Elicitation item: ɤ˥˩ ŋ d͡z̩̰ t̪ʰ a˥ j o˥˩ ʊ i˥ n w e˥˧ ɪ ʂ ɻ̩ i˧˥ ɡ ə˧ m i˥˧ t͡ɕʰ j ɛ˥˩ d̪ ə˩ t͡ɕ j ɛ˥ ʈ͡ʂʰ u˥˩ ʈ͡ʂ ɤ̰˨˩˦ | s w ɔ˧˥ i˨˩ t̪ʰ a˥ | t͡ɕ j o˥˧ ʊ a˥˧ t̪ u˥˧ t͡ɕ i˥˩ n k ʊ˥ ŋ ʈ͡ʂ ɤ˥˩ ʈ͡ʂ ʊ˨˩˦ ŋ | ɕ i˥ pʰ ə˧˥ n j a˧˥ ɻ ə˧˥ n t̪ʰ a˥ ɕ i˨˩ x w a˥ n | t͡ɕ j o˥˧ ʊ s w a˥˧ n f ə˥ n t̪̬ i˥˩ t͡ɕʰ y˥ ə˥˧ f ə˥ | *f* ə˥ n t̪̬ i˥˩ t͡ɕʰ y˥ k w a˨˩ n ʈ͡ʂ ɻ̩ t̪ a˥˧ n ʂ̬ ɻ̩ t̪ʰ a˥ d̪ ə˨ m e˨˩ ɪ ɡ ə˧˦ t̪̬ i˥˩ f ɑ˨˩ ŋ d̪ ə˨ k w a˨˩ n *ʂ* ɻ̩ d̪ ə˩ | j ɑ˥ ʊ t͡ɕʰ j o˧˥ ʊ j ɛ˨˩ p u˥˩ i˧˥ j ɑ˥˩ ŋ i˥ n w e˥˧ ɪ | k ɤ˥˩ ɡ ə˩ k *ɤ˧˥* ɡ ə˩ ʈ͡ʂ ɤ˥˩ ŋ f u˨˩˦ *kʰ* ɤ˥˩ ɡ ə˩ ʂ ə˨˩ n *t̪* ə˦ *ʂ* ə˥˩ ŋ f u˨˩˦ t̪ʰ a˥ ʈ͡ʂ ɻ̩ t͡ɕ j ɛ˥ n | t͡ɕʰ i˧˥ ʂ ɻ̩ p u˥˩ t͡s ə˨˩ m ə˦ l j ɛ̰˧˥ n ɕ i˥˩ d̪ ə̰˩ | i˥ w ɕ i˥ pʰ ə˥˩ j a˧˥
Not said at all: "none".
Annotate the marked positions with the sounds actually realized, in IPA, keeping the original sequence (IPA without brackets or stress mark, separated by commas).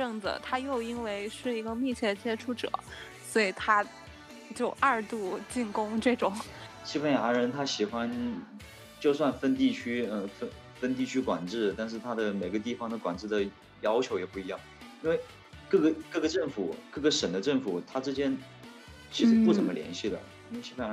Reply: f, ʈ͡ʂ, ɤ˥˩, k, d̪, ʈ͡ʂ